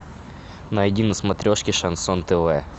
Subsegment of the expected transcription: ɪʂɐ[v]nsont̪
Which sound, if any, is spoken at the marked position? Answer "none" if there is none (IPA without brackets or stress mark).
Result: none